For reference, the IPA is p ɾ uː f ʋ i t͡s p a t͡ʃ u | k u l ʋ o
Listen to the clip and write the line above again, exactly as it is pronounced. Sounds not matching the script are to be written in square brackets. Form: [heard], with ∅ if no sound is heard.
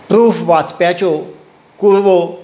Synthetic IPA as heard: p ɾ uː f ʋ [a] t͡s p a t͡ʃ [o] | k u [ɾ] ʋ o